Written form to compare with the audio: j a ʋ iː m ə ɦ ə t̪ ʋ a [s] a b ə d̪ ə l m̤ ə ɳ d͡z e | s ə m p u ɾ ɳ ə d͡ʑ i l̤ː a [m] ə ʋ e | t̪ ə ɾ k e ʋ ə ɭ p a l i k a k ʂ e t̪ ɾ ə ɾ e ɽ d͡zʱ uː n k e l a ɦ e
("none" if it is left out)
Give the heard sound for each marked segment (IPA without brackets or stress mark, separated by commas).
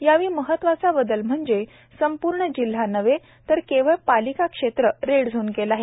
t͡s, n